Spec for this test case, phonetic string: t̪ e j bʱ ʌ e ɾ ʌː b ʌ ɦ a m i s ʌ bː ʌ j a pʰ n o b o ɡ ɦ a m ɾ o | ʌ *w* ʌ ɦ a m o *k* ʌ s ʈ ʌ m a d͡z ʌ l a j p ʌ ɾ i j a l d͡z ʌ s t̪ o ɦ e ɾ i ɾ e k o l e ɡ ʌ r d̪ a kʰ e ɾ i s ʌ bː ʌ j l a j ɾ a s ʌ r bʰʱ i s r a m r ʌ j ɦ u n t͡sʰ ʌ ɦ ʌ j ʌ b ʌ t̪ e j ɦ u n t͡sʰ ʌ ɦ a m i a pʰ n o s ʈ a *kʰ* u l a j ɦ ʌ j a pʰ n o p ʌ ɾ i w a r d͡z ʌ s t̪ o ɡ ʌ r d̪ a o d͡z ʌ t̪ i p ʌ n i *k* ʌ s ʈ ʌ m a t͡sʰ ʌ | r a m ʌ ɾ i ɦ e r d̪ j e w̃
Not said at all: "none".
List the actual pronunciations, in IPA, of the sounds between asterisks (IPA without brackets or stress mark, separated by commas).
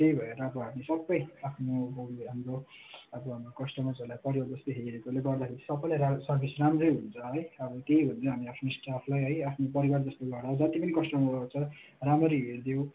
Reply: b, k, pʰ, k